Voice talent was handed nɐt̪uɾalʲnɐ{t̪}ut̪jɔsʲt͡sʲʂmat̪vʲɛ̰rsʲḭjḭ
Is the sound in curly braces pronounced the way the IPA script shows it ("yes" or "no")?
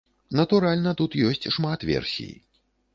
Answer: yes